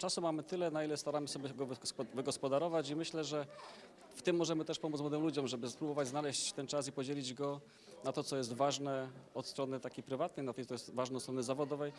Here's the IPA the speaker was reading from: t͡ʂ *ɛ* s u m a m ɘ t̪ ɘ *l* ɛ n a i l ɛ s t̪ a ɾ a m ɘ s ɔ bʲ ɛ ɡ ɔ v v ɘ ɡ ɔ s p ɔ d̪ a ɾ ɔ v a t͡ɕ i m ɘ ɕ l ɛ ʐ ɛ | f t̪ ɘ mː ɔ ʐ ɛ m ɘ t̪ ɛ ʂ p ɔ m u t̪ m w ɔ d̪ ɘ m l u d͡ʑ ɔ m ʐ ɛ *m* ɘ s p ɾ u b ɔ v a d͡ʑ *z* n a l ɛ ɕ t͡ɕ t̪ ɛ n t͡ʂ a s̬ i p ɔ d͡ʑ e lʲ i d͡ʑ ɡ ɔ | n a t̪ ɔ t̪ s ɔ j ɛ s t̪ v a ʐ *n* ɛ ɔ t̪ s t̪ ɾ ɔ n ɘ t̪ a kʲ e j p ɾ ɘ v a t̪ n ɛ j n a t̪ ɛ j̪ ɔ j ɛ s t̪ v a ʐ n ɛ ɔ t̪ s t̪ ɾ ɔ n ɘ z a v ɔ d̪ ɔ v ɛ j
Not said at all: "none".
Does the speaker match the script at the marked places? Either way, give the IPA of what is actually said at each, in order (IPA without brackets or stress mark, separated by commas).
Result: a, l, b, z, n